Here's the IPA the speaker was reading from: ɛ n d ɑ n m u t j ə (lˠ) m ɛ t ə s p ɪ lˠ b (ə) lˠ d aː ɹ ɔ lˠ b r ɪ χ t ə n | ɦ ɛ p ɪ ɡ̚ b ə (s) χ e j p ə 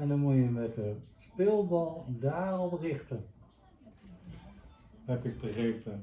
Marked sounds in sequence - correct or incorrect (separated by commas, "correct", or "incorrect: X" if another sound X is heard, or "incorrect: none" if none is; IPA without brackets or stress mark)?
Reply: incorrect: none, incorrect: ɑ, incorrect: none